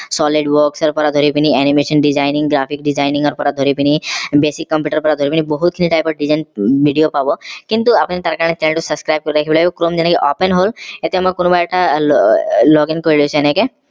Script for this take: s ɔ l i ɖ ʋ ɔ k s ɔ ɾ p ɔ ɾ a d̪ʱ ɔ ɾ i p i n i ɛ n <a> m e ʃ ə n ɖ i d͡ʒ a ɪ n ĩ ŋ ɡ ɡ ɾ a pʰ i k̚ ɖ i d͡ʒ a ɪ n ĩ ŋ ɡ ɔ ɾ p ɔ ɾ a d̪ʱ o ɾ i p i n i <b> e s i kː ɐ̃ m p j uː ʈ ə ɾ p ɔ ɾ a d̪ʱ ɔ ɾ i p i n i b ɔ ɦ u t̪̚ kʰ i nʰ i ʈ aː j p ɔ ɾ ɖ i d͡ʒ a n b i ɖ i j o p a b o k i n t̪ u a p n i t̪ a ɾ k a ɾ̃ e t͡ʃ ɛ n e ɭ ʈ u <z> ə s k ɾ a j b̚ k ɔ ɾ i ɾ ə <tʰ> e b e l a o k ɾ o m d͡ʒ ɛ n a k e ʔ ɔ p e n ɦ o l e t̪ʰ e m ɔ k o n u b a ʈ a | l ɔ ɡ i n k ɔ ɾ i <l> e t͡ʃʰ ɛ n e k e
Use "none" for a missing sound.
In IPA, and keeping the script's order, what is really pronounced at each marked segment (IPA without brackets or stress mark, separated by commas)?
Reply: i, b, s, kʰ, l